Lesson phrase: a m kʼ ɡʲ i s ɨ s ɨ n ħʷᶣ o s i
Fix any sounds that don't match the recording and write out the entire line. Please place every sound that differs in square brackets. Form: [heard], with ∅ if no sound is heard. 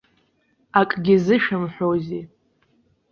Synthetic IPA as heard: a [∅] kʼ ɡʲ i [z] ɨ [ʃ] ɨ [m] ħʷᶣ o [z] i